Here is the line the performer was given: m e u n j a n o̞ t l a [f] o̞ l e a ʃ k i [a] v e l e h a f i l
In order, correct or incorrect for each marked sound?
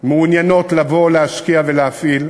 incorrect: v, correct

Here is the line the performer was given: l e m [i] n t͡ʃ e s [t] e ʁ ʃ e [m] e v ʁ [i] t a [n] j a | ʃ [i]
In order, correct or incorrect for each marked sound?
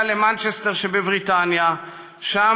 incorrect: a, correct, incorrect: b, correct, correct, incorrect: a

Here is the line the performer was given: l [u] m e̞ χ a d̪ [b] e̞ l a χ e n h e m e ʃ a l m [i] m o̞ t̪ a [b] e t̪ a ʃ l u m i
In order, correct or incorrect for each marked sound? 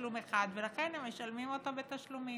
correct, incorrect: v, correct, correct

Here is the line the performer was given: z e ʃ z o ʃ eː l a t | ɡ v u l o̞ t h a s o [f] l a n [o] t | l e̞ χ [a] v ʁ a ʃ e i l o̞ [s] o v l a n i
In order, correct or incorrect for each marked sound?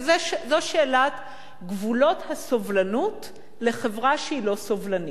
incorrect: v, incorrect: u, incorrect: e, correct

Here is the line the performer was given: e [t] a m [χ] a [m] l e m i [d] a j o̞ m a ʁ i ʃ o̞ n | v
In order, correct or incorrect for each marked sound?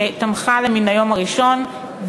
correct, correct, incorrect: none, incorrect: n

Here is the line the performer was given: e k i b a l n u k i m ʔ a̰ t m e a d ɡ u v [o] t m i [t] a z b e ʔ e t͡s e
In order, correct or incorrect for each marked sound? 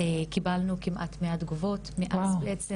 correct, incorrect: ʔ

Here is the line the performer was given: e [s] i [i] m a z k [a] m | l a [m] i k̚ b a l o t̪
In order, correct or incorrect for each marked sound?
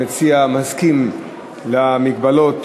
incorrect: t͡s, incorrect: a, incorrect: i, correct

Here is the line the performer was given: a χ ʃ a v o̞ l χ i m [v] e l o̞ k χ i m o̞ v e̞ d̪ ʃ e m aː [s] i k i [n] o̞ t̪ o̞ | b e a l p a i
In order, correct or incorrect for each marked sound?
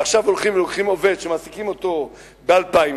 correct, correct, incorrect: m

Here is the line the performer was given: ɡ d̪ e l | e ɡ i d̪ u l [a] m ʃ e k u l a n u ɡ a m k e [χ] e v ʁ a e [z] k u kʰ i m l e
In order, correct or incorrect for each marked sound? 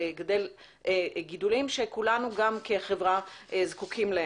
incorrect: i, correct, correct

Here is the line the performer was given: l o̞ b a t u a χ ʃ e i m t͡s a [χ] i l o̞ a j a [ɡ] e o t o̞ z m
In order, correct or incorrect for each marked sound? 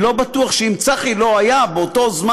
correct, incorrect: b

